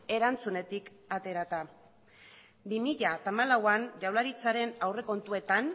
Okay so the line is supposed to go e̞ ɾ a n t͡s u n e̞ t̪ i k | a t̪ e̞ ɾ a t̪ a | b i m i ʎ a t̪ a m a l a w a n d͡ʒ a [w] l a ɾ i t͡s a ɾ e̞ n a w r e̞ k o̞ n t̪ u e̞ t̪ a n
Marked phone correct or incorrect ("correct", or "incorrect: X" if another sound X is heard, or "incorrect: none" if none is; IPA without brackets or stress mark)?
correct